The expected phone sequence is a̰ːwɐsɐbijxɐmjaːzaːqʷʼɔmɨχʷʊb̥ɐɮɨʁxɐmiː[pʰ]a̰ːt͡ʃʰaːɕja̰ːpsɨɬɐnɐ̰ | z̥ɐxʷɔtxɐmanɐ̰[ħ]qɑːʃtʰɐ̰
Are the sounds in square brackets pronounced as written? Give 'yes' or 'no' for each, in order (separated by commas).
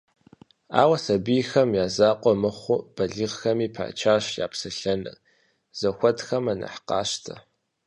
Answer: yes, yes